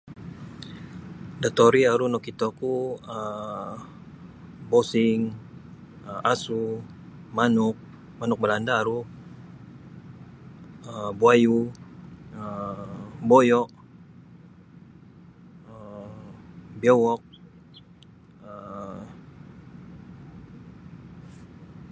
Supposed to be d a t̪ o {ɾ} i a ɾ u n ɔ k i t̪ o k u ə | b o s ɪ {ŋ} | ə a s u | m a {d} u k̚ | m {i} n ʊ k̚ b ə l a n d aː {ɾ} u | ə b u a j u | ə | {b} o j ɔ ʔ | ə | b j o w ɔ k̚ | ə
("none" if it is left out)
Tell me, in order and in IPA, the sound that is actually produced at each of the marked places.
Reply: ɾ, ŋ, n, a, ɾ, b

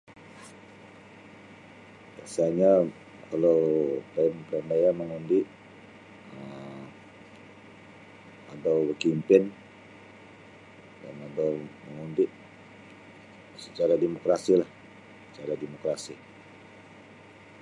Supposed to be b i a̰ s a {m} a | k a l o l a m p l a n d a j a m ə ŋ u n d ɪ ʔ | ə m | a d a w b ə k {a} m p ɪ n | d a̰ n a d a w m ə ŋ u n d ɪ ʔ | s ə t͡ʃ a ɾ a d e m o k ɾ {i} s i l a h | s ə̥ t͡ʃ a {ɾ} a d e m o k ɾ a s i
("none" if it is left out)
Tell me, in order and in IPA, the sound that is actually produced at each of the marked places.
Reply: ɲ, i, a, ɾ

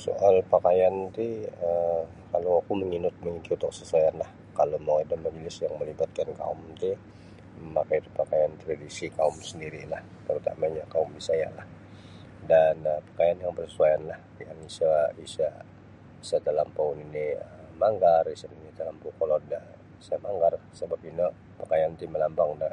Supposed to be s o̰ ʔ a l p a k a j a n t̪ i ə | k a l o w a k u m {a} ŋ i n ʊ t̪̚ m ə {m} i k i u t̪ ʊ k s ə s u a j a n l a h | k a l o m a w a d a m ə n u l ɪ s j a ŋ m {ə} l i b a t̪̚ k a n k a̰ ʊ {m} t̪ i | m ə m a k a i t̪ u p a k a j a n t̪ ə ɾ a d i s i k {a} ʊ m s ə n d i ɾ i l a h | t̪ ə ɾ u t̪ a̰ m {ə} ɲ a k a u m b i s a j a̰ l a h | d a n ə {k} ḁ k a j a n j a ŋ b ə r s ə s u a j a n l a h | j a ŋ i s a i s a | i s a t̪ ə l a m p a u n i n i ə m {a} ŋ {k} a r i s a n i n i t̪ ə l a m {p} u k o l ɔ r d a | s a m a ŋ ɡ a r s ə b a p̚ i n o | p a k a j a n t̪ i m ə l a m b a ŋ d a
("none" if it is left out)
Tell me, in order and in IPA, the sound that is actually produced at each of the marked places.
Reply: ə, ŋ, ə, m, a, a, p, a, ɡ, p

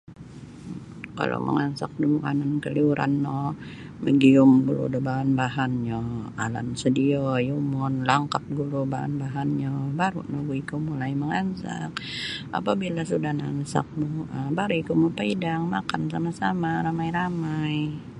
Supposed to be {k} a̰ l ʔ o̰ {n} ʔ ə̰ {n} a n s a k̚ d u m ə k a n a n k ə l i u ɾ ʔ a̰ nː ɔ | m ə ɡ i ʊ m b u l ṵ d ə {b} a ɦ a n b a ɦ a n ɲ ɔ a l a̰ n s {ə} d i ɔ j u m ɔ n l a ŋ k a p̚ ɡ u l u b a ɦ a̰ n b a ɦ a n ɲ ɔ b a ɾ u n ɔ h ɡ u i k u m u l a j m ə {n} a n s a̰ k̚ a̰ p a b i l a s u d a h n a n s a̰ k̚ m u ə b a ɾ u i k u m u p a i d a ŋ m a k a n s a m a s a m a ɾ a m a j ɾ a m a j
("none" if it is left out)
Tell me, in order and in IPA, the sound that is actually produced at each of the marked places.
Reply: k, m, ŋ, b, ə, ŋ

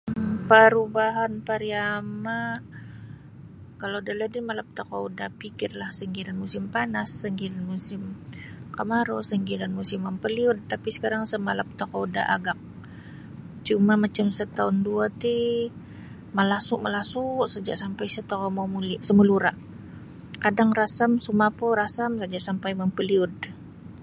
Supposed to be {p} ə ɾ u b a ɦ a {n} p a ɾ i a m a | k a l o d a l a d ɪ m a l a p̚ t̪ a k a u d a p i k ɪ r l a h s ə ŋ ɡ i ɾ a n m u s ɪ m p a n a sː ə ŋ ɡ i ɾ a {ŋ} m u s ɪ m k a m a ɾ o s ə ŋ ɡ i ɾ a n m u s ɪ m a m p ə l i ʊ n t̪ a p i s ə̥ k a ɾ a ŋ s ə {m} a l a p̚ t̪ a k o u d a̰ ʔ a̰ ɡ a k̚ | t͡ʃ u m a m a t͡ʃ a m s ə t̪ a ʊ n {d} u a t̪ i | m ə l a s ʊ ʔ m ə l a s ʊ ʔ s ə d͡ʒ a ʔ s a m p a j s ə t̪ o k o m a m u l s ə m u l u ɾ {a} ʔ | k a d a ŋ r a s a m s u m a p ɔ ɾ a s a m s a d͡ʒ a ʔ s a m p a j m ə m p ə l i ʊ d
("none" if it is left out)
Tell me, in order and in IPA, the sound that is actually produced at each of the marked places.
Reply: p, n, n, m, d, a

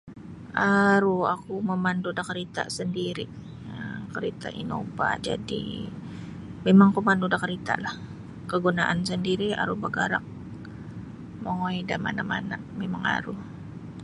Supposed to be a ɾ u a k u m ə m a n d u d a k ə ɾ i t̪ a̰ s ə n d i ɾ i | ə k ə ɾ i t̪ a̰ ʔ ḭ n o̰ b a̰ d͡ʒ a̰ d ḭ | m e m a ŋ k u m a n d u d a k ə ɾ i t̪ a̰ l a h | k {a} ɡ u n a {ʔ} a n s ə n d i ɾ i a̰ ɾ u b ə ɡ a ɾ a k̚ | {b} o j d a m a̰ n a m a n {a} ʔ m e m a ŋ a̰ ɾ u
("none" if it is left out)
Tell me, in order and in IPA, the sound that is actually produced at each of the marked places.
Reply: ə, ʔ, m, a

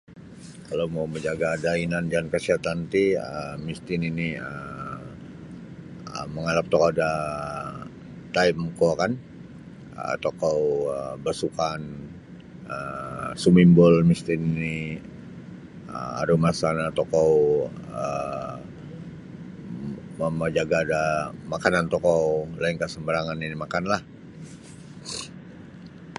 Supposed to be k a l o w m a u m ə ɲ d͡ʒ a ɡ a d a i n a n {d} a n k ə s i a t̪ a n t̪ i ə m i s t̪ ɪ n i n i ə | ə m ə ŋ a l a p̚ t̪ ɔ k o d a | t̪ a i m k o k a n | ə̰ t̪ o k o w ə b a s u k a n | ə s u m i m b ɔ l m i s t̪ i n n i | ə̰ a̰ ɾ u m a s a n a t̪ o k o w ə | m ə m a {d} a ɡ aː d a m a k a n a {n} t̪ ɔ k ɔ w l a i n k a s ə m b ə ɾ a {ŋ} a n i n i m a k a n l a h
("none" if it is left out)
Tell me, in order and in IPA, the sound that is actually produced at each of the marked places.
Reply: d͡ʒ, d͡ʒ, n, ŋ

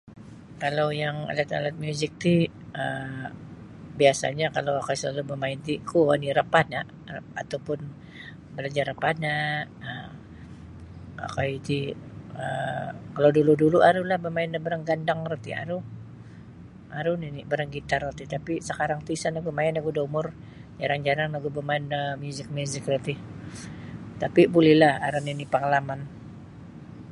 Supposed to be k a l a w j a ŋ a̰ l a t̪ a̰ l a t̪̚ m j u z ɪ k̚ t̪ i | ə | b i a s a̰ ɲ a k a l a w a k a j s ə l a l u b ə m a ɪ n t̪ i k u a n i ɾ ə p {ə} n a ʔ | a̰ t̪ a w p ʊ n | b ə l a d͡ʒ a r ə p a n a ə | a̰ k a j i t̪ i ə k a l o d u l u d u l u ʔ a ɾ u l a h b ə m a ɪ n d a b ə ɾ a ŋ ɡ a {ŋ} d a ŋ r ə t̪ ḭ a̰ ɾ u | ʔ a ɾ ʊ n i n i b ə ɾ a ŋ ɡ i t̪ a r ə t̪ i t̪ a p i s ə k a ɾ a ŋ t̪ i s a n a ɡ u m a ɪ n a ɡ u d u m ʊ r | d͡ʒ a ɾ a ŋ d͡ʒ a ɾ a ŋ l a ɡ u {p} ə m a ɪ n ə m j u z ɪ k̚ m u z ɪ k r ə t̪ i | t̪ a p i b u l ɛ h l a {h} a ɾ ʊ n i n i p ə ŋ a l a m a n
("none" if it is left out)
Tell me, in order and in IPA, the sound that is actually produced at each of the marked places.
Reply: a, n, b, h

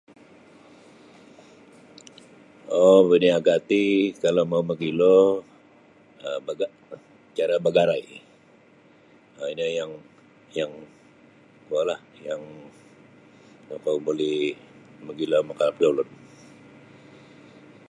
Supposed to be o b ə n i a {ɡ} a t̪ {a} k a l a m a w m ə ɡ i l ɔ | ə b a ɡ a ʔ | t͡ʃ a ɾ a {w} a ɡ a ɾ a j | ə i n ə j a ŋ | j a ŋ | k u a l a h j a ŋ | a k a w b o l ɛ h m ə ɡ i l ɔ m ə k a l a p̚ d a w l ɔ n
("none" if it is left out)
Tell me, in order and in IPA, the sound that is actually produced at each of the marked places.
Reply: ɡ, i, b

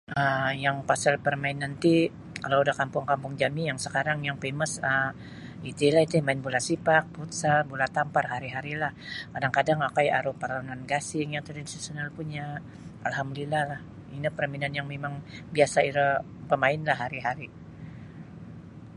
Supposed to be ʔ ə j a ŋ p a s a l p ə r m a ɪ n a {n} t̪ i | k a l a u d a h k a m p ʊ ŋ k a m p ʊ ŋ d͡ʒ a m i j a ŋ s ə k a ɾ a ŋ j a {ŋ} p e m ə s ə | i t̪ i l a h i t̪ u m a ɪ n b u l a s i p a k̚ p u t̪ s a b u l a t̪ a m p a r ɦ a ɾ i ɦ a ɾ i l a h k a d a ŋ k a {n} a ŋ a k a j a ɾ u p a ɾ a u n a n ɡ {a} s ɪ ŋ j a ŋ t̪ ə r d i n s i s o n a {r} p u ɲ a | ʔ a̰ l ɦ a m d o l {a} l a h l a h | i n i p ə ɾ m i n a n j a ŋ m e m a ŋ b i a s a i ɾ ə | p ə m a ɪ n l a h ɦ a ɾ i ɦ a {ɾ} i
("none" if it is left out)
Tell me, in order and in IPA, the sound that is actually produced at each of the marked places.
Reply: n, ŋ, d, a, l, i, ɾ

